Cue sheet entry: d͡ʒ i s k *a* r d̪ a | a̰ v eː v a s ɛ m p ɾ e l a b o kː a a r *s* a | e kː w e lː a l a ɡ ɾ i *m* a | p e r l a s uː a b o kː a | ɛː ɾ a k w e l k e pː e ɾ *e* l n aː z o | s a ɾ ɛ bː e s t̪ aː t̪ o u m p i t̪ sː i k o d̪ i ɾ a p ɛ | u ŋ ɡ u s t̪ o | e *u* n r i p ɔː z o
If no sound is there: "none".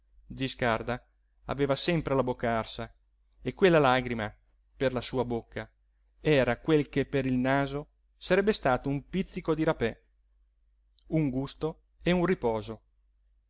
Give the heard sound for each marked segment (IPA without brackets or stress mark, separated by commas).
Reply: a, s, m, i, u